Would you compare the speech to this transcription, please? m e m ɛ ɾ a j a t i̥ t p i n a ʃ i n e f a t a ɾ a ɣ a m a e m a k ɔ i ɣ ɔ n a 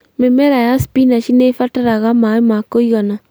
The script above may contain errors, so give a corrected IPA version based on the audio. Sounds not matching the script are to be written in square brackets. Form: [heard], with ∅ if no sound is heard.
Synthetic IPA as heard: m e m ɛ ɾ a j a [s] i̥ [∅] p i n a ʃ i n e f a t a ɾ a ɣ a m a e m a k [o] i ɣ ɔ n a

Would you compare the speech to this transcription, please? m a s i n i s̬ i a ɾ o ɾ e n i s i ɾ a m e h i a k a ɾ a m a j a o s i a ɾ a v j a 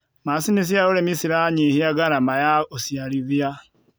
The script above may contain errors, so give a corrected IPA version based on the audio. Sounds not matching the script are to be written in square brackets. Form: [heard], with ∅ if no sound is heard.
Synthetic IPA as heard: m a s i n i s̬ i a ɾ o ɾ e [m] i s i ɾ a [ɲ] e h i a [ɡ] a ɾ a m a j a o s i a ɾ [i] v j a

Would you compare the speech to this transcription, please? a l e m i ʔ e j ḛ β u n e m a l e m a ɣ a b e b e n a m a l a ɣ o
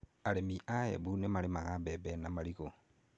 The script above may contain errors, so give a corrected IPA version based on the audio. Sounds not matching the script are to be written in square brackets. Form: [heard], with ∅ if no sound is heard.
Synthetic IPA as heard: a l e m i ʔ [a] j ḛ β u n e m a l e m a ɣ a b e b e n a m a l [i] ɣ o

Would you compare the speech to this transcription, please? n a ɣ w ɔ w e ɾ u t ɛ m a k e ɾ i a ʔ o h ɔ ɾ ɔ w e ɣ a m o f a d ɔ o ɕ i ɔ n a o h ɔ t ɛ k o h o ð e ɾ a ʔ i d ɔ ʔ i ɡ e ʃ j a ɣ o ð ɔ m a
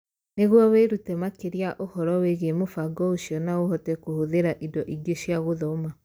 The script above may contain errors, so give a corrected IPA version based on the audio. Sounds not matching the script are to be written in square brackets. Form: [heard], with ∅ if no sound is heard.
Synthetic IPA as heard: n [e] ɣ w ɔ w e ɾ u t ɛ m a k e ɾ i a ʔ o h ɔ ɾ ɔ w e ɣ [e] m o f a [ɡ] ɔ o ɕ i ɔ n a o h ɔ t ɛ k o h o ð e ɾ a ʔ i d ɔ ʔ i ɡ e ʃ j a ɣ o ð ɔ m a

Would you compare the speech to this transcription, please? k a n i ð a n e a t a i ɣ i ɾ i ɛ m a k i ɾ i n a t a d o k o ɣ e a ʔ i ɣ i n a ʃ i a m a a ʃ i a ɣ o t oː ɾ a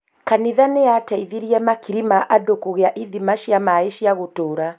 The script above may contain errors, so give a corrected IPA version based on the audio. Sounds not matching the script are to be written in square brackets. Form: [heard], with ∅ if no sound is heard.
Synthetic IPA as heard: k a n i ð a n e a t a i [ð] i ɾ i ɛ m a k i ɾ i [m] a [ʔ] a d o k o ɣ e a ʔ i [ð] i [m] a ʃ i a m a [e] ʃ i a ɣ o t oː ɾ a

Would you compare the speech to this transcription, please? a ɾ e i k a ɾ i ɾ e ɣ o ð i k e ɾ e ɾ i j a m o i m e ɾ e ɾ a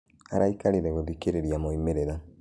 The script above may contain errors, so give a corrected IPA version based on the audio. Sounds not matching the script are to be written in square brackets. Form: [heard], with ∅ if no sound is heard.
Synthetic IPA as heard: a ɾ [a] i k a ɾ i ɾ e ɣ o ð i k e ɾ e ɾ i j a m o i m e ɾ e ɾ a

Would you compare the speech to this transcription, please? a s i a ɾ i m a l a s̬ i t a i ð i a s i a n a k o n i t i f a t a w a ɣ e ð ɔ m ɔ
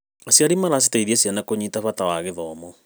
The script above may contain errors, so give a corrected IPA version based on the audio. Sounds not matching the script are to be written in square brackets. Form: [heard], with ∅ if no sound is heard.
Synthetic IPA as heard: a s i a ɾ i m a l a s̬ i t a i ð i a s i a n a k o [ɲ] i t [a] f a t a w a ɣ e ð ɔ m ɔ

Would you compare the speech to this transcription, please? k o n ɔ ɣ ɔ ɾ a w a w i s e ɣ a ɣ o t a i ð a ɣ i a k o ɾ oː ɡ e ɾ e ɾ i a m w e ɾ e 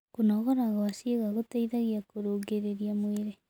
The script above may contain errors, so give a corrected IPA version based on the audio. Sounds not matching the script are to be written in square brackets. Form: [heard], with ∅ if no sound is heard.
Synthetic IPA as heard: k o n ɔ ɣ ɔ ɾ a [ɣ] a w [a] s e ɣ a ɣ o t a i ð a ɣ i a k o ɾ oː ɡ e ɾ e ɾ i a m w e ɾ e

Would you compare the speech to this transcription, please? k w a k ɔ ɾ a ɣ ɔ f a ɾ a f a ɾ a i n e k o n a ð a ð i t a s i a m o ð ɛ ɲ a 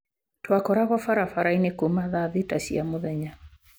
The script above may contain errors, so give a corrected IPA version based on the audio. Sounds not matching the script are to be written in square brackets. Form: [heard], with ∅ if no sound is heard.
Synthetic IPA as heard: [t] w a k ɔ ɾ a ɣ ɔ f a ɾ a f a ɾ a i n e k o [m] a ð a ð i t a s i a m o ð ɛ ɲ a

